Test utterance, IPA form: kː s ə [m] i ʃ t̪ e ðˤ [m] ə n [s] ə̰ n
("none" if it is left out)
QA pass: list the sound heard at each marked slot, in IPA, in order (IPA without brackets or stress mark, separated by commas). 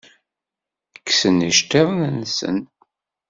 n, n, s